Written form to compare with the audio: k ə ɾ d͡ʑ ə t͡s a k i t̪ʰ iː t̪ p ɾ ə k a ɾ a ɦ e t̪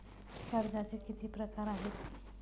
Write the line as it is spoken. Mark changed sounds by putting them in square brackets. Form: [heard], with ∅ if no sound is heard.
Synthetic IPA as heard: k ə ɾ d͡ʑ [a] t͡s [e] k i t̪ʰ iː [∅] p ɾ ə k a ɾ a ɦ e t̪